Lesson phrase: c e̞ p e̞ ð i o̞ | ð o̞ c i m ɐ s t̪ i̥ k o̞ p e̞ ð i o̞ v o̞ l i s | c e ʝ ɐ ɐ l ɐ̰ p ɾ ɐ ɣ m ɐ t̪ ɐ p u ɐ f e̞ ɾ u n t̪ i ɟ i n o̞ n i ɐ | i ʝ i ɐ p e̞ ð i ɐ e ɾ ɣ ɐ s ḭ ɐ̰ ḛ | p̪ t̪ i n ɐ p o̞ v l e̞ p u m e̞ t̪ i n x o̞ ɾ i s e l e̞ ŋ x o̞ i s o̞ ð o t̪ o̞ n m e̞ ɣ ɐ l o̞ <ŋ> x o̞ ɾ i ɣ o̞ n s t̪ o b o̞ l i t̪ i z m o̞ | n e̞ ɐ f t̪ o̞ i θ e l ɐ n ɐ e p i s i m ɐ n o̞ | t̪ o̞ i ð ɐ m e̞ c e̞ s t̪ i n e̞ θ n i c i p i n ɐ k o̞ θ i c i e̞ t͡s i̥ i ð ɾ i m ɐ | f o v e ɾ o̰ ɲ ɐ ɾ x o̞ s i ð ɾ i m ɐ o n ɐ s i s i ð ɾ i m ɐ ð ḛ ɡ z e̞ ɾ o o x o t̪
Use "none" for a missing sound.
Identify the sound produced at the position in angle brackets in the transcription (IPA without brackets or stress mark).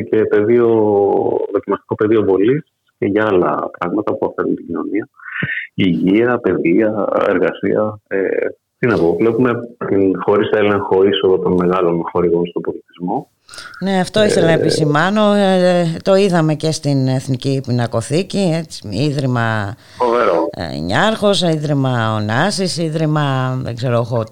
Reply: n